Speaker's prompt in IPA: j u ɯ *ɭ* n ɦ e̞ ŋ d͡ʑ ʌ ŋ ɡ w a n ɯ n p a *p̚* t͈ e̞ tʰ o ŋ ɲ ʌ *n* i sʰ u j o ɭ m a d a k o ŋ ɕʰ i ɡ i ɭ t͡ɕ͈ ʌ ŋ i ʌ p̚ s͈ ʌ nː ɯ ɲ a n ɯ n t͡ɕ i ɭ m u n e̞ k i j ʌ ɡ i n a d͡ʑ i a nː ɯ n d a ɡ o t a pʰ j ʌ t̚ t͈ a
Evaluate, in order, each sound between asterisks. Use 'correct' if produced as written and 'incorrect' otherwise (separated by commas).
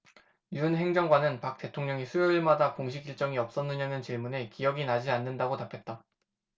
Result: incorrect, incorrect, incorrect